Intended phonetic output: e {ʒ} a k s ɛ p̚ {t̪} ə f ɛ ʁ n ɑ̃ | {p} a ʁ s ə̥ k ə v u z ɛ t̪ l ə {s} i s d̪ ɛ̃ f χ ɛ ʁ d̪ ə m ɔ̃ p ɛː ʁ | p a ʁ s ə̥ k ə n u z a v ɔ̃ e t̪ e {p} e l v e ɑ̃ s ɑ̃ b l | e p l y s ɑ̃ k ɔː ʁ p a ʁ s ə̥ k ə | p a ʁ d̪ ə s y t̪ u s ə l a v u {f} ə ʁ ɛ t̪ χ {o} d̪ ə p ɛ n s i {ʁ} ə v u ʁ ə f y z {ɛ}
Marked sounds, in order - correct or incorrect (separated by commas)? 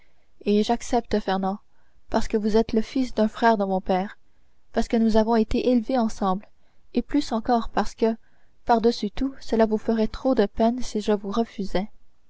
correct, correct, correct, incorrect, incorrect, correct, correct, incorrect, correct